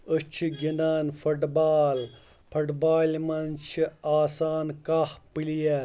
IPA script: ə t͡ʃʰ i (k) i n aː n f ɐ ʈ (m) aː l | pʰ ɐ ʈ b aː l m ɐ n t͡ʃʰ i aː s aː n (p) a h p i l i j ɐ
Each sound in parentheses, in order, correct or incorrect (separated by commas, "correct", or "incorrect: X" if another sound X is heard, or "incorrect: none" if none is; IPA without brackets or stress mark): incorrect: ɡ, incorrect: b, incorrect: k